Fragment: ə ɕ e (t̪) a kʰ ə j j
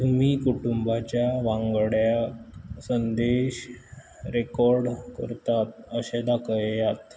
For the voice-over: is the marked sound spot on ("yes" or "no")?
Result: no